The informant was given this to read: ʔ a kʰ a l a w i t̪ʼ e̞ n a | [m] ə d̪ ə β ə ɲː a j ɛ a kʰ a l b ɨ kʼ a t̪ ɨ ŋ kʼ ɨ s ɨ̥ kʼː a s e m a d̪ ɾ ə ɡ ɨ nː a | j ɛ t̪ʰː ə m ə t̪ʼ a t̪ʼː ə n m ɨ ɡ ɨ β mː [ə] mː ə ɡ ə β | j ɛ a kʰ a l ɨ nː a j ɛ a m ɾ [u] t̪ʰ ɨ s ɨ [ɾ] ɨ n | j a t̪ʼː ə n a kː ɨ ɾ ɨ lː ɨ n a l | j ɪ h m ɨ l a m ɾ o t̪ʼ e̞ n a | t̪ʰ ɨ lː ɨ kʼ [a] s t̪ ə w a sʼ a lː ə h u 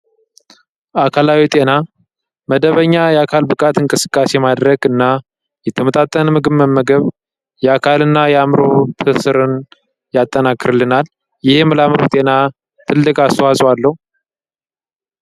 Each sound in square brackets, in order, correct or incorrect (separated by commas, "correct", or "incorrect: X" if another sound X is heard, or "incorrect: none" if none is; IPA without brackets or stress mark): correct, correct, incorrect: o, correct, correct